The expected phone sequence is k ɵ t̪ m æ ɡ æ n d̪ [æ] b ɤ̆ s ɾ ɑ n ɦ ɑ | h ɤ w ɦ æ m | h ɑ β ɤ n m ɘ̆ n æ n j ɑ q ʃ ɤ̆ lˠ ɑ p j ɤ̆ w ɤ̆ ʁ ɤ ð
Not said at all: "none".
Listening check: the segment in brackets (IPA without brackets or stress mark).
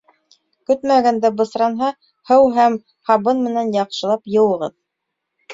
æ